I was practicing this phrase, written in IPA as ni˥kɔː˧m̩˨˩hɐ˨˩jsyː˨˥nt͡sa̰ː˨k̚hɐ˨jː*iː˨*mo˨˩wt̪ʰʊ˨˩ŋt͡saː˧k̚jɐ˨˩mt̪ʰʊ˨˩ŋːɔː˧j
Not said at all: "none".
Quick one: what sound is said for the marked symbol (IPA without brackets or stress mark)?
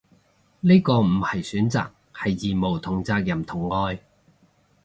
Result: iː˨